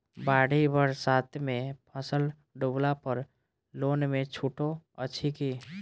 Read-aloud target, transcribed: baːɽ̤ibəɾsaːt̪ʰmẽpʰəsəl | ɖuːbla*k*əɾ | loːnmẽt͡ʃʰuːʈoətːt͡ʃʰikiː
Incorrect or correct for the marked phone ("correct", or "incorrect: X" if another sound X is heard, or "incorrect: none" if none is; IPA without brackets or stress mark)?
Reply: incorrect: p